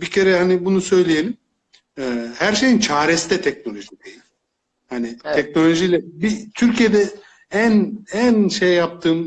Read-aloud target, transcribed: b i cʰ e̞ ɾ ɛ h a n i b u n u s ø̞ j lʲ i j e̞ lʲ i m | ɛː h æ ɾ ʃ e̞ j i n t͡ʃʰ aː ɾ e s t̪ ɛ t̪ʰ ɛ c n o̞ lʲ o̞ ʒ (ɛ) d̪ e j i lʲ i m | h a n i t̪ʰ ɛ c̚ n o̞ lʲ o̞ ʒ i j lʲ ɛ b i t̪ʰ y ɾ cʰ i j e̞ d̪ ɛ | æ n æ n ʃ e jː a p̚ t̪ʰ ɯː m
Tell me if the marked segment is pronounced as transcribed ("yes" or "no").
no